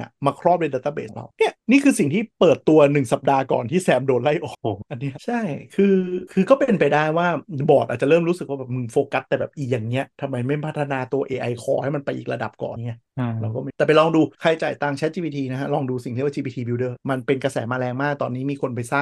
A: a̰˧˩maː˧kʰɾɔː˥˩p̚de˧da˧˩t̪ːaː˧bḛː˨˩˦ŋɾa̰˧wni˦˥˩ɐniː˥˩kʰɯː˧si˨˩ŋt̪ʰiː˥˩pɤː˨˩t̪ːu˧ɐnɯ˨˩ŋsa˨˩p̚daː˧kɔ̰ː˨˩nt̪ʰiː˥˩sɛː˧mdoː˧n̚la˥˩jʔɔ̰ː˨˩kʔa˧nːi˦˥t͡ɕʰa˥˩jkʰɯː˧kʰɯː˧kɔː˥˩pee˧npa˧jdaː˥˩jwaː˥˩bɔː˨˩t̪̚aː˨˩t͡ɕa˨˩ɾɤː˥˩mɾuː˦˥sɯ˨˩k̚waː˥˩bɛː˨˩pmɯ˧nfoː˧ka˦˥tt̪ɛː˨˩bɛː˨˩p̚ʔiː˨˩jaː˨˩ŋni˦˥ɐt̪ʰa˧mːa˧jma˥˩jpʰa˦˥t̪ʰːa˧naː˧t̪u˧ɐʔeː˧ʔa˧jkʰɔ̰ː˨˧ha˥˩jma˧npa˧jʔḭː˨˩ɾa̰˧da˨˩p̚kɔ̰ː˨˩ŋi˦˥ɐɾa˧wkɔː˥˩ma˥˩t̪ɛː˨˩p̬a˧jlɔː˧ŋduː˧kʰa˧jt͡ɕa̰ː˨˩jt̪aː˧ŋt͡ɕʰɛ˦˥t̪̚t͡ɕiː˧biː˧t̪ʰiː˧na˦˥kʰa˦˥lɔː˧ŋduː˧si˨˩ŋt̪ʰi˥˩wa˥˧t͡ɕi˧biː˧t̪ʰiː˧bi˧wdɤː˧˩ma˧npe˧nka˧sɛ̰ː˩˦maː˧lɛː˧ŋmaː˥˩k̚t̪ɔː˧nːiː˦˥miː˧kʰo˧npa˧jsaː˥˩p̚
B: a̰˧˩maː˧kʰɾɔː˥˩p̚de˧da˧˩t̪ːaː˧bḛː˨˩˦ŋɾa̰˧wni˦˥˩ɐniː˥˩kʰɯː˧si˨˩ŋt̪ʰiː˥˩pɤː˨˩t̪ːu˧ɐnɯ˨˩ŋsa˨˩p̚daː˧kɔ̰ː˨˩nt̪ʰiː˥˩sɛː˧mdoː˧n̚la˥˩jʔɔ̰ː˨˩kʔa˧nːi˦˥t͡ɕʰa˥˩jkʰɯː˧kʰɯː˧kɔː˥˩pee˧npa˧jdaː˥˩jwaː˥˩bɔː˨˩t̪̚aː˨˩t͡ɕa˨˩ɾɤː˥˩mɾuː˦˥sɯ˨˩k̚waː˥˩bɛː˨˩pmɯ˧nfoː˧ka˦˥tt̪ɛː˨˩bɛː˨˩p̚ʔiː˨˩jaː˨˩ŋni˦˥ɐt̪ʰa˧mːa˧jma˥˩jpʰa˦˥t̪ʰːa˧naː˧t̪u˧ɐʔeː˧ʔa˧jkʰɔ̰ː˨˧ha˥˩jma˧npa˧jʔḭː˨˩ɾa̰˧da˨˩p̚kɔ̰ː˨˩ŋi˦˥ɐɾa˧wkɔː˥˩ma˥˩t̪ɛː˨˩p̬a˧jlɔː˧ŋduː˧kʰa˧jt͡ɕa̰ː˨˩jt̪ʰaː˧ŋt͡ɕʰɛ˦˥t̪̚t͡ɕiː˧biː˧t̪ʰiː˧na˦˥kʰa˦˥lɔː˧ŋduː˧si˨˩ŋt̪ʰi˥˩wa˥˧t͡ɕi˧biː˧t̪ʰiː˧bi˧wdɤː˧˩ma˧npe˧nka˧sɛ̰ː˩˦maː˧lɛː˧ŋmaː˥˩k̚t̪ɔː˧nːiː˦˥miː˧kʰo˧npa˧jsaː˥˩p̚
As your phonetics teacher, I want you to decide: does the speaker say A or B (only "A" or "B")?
A